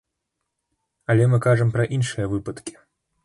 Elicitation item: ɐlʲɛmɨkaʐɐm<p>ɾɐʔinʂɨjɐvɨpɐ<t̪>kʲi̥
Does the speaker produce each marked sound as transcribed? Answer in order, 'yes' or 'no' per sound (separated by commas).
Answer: yes, yes